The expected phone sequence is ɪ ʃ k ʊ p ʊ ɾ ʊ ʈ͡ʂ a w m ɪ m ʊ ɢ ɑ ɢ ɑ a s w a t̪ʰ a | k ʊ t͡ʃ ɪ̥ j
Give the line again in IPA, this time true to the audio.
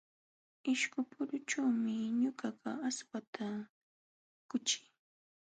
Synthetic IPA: ɪ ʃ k ʊ p ʊ ɾ ʊ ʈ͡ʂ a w m ɪ ɲ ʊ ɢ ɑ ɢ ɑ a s w a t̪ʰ a | k ʊ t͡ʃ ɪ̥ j